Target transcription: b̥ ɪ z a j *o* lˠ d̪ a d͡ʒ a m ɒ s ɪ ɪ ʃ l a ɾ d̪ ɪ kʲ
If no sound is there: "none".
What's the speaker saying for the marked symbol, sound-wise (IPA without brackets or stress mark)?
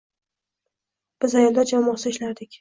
ɒ